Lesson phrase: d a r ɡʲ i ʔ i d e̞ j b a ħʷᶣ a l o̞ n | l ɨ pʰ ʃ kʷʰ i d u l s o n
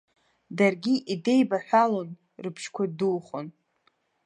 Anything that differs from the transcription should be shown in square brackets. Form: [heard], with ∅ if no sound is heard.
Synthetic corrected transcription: d a r ɡʲ i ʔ i d e̞ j b a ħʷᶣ a l o̞ n | [r] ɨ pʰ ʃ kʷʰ [a] d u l [χ] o n